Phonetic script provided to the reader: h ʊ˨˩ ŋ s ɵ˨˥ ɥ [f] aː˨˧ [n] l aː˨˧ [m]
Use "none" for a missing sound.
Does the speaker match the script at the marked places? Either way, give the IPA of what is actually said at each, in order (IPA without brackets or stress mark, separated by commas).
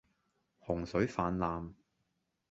f, n, m